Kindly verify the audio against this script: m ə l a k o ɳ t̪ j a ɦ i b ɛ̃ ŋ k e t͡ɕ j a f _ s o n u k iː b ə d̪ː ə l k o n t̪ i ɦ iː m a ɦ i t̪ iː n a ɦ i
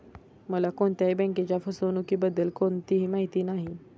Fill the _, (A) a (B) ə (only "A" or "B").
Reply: B